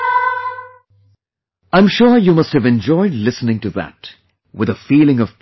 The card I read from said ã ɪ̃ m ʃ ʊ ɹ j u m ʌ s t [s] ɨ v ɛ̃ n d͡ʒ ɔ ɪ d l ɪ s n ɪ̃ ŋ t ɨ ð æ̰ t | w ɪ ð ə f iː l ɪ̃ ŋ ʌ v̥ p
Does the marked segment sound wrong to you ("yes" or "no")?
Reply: yes